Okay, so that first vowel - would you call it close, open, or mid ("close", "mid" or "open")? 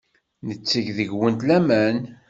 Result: mid